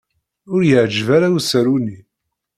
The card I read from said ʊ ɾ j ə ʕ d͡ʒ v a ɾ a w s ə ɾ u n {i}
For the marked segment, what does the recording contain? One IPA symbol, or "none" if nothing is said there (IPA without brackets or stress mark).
i